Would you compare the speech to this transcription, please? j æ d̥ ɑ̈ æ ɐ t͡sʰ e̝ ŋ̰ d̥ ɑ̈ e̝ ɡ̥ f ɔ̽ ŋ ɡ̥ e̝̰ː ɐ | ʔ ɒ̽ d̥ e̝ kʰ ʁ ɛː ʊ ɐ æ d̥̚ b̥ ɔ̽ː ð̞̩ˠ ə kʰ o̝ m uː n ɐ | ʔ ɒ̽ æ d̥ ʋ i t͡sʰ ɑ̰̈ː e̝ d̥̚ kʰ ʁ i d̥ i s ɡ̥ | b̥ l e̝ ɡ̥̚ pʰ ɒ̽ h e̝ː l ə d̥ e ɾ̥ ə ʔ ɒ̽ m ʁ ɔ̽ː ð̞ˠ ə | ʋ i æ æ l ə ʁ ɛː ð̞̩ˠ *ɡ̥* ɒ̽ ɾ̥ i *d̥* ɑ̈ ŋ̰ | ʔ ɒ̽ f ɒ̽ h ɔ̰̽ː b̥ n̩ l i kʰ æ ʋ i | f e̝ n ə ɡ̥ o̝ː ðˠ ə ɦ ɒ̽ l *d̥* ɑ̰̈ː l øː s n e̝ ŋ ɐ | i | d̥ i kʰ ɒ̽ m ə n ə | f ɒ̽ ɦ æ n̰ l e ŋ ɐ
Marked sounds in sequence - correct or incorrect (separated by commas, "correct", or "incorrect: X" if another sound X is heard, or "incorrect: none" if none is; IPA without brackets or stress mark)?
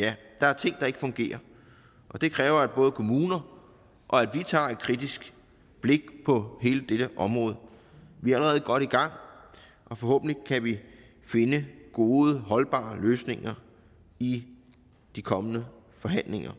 correct, incorrect: ɡ̥, incorrect: b̥